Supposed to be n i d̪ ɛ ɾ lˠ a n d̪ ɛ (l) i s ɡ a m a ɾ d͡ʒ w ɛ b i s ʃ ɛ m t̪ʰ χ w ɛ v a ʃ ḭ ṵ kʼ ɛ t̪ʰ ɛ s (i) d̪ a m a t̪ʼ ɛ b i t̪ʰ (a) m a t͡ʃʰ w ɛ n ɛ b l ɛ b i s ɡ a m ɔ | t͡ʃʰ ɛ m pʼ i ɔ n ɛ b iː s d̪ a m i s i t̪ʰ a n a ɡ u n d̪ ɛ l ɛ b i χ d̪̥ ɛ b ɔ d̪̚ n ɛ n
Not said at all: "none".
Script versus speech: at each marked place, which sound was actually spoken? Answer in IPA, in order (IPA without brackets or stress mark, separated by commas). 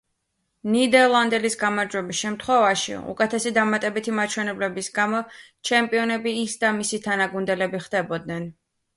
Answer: l, i, i